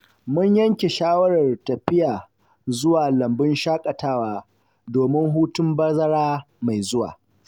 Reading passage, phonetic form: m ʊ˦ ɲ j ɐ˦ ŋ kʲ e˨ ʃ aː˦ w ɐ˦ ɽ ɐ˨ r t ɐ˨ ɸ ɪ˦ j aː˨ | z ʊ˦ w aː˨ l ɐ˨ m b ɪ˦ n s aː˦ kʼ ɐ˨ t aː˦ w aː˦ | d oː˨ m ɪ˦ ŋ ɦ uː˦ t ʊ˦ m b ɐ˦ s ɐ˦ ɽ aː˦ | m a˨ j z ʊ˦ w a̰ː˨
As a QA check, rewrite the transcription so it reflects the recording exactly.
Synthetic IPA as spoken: m ʊ˦ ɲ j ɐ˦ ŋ kʲ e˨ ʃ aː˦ w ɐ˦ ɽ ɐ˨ r t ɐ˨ ɸ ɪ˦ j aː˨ | z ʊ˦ w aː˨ l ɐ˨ m b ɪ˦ n ʃ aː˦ kʼ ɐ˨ t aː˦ w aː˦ | d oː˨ m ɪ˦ ŋ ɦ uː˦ t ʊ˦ m b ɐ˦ z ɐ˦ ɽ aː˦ | m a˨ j z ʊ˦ w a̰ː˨